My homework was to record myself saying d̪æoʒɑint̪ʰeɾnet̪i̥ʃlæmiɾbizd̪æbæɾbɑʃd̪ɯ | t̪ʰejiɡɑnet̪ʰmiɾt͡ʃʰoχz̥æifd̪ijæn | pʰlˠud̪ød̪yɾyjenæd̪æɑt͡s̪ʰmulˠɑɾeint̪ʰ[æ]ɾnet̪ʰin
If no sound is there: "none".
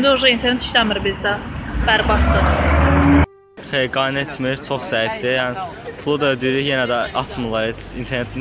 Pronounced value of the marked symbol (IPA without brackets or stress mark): e